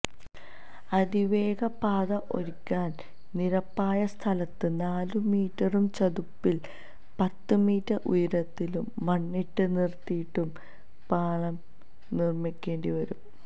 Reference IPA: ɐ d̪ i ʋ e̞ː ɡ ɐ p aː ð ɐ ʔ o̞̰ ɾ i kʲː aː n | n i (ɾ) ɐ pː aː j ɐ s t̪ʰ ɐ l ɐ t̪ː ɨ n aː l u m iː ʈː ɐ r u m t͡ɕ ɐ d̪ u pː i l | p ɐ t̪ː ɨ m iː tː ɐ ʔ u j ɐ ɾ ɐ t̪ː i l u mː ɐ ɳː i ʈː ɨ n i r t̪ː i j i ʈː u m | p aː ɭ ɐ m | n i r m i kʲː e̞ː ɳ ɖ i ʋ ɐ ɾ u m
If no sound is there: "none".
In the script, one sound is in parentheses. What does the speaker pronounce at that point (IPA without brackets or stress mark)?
ɾ